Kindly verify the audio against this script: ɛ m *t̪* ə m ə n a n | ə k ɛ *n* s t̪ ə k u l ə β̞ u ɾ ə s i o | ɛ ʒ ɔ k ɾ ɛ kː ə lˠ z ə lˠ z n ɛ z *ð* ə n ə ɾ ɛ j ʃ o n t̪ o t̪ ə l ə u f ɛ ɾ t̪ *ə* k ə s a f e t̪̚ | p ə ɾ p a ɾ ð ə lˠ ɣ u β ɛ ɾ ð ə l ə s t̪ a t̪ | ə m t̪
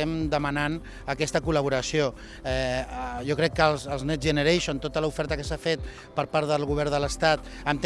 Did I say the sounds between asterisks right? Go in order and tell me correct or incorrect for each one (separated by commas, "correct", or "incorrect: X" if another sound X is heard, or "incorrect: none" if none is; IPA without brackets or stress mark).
incorrect: d̪, incorrect: none, incorrect: ʒ, correct